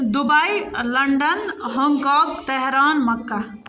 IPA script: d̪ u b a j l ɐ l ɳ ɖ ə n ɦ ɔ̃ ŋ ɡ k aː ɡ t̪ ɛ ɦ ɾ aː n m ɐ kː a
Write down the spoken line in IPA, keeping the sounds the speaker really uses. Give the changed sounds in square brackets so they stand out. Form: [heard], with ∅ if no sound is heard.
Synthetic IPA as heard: d̪ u b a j l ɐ [∅] ɳ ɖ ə n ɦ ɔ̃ ŋ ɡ k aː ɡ t̪ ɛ ɦ ɾ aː n m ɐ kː a

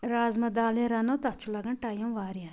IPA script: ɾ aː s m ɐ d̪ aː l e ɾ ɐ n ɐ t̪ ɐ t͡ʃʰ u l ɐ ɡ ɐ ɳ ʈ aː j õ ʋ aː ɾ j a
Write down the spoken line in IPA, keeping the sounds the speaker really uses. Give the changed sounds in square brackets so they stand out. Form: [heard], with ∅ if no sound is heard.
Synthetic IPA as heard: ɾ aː [z] m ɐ d̪ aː l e ɾ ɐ n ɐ t̪ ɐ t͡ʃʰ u l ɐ ɡ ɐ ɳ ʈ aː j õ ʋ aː ɾ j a

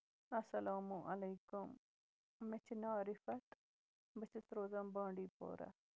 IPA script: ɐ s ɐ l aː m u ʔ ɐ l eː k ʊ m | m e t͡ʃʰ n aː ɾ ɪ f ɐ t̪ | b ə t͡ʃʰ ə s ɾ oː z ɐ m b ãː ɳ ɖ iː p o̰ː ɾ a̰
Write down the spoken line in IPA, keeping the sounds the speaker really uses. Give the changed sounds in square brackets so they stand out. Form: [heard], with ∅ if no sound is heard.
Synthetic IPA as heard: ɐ s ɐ l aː m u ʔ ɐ l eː k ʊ m | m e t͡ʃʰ n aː ɾ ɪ f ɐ t̪ | b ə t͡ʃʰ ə s ɾ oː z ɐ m b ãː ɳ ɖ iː p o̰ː ɾ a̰

